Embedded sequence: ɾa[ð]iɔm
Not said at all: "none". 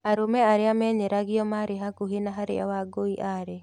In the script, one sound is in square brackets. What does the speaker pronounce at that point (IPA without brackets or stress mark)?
ɣ